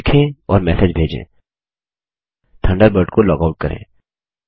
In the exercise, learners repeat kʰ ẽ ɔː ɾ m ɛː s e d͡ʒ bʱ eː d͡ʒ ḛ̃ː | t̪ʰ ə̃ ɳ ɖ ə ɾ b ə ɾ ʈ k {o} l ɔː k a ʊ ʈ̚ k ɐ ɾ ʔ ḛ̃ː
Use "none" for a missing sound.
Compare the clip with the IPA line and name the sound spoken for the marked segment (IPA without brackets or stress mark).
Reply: o